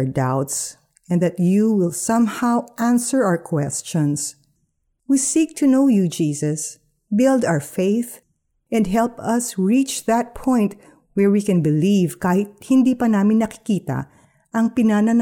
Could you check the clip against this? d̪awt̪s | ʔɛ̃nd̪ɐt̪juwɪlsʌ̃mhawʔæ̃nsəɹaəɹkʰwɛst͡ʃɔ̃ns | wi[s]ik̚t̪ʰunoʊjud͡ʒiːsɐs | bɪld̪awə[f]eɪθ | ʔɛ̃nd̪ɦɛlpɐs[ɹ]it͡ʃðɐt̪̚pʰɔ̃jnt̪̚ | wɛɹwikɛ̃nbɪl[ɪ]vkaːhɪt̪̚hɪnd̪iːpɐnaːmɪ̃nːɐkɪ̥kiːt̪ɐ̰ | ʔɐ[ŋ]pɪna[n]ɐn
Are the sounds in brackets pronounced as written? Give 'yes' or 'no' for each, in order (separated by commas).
yes, yes, yes, no, yes, yes